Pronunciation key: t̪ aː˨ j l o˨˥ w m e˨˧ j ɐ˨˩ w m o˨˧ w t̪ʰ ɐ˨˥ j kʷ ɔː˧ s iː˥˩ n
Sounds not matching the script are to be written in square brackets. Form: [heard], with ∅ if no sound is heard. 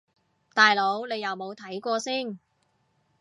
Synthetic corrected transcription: t̪ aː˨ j l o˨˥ w [n] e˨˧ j ɐ˨˩ w m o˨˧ w t̪ʰ ɐ˨˥ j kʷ ɔː˧ s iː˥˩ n